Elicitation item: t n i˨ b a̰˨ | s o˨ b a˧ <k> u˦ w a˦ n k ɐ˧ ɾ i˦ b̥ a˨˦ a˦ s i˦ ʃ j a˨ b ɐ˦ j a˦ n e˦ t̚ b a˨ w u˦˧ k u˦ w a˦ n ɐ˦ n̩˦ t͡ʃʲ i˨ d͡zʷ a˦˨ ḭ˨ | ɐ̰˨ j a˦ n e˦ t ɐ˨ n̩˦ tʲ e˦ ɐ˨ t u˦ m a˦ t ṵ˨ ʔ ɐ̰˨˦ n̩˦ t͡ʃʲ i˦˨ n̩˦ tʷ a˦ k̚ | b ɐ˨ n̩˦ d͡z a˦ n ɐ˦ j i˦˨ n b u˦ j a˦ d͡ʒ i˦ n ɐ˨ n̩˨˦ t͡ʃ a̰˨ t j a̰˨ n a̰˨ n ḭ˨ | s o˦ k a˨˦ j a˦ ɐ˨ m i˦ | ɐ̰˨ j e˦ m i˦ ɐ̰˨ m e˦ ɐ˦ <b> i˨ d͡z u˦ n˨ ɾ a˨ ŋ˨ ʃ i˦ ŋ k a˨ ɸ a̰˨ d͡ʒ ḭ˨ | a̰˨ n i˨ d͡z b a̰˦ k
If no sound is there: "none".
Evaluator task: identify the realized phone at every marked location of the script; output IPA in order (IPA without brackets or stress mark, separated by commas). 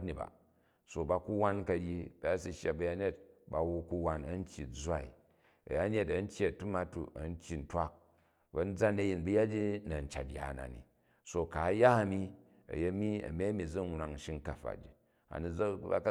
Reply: k, m